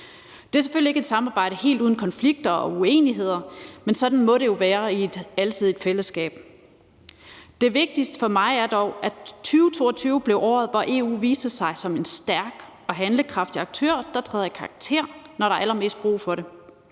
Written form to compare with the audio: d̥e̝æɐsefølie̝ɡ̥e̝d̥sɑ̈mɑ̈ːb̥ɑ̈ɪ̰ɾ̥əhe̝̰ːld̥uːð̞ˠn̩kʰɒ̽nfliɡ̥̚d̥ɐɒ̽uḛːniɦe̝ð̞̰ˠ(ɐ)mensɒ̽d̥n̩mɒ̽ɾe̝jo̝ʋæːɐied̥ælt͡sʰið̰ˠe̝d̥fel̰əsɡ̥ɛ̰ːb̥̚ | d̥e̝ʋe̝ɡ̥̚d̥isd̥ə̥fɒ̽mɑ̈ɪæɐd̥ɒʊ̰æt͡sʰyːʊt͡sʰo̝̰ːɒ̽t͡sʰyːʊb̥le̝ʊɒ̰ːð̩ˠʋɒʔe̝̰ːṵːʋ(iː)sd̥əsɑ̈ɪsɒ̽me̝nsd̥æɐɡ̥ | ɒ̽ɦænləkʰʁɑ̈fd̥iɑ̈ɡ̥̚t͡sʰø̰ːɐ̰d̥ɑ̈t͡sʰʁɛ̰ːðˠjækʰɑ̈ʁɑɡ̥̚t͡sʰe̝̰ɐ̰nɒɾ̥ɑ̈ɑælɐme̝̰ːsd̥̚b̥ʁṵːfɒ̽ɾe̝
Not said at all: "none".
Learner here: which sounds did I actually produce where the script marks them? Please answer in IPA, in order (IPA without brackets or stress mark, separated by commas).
ɐ, iː